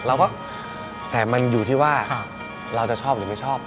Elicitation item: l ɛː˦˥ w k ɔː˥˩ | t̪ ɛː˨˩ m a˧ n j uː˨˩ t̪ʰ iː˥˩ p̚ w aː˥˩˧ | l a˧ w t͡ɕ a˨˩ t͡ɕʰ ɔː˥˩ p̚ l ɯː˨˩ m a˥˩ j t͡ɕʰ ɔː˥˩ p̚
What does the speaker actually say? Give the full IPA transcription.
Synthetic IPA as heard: l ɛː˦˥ w k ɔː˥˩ | t̪ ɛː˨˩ m a˧ n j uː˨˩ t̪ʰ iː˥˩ w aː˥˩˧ | ɾ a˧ w t͡ɕ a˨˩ t͡ɕʰ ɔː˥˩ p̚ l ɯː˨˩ m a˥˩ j t͡ɕʰ ɔː˥˩ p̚

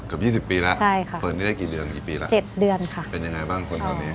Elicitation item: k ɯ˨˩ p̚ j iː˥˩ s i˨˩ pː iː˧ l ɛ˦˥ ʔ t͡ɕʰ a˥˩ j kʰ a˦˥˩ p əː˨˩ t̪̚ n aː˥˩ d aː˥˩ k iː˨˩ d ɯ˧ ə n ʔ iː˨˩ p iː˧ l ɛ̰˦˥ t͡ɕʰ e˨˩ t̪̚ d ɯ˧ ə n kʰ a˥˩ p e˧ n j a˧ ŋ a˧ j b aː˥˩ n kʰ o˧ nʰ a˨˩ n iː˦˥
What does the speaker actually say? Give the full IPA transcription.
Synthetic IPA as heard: k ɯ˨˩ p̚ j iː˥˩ s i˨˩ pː iː˧ l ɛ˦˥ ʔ t͡ɕʰ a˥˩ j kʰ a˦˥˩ p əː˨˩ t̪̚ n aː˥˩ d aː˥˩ k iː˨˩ d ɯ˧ ə n k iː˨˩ p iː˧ l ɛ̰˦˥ t͡ɕ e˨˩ t̪̚ d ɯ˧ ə n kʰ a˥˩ p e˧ n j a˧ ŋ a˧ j b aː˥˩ ŋ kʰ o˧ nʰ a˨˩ n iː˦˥

